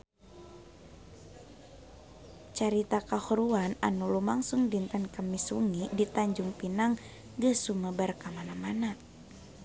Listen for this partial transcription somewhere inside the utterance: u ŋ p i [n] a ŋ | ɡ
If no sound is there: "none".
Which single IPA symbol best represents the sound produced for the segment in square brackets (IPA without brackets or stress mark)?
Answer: n